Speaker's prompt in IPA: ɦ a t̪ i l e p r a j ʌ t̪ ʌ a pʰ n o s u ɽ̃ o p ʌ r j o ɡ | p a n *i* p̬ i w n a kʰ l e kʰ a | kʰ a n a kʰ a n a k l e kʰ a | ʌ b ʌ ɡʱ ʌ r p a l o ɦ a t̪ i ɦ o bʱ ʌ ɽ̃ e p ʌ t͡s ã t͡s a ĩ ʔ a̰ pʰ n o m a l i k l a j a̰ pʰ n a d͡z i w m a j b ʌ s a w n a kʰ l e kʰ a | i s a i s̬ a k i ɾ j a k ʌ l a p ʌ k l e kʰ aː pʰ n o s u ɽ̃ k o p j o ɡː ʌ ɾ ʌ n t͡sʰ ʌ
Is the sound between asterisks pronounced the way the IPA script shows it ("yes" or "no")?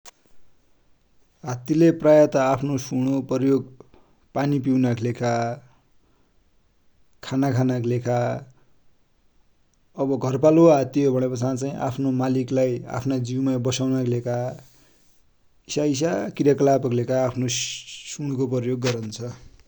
yes